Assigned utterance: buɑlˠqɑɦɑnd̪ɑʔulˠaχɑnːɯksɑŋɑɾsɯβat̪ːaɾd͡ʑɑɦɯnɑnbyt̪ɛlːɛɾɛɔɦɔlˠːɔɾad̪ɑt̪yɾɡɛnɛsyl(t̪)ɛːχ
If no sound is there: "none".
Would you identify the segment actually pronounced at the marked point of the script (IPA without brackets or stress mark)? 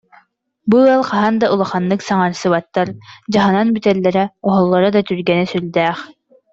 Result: d̪